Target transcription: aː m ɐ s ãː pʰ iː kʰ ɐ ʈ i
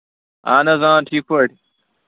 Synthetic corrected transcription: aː n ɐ z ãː ʈʰ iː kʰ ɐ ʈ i